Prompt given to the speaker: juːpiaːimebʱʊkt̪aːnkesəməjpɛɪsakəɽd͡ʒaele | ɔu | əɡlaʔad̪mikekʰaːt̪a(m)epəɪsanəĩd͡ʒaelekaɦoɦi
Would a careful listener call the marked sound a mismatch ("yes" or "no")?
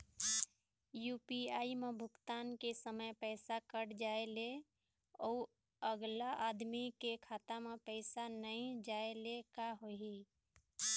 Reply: no